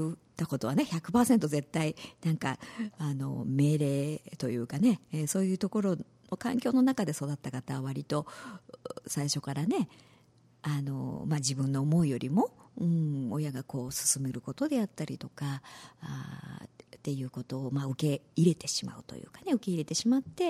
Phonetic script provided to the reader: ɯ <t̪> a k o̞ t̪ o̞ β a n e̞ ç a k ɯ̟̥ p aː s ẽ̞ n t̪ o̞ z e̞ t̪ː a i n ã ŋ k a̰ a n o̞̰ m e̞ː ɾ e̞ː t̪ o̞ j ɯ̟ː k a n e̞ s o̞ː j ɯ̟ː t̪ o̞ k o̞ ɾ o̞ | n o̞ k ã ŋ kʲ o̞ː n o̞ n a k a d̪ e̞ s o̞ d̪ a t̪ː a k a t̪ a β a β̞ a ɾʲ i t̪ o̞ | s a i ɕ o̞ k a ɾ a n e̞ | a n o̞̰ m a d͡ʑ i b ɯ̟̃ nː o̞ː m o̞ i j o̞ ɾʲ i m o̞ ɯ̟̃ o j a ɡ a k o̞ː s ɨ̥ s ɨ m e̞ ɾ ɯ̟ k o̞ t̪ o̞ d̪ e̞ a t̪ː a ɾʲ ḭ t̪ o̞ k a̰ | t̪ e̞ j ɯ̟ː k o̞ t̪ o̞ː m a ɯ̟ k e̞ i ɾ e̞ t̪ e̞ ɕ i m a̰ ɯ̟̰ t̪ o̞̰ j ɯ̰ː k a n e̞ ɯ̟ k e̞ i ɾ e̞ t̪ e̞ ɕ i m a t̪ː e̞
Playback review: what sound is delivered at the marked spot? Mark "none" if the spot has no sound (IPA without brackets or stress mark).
t̪